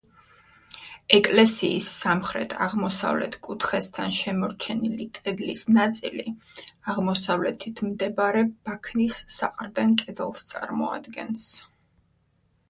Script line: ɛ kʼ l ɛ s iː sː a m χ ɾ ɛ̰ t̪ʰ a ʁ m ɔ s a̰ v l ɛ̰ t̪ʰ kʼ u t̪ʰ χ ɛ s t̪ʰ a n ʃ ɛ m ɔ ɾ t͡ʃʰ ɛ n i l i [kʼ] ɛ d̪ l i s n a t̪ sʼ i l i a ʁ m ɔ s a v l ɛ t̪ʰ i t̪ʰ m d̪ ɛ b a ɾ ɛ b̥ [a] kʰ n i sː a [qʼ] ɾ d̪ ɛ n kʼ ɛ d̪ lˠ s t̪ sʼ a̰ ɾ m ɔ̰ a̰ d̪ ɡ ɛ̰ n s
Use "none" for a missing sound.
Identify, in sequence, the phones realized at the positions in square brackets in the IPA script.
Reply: kʼ, a, qʼ

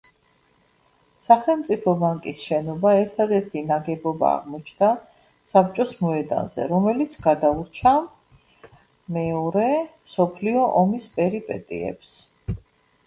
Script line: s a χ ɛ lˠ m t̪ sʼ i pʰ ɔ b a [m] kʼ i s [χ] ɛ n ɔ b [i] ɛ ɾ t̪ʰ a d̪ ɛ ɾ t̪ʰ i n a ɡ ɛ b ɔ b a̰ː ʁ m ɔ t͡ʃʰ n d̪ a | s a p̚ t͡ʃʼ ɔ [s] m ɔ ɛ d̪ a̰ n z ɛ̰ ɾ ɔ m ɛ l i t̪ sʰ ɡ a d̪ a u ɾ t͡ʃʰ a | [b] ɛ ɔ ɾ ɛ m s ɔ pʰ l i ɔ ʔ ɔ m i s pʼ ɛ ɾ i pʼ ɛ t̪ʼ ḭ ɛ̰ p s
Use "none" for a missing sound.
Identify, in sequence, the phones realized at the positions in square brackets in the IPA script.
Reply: ŋ, ʃ, a, s, m

